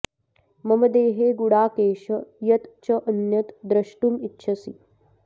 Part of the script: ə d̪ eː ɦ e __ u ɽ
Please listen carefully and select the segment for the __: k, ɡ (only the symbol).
ɡ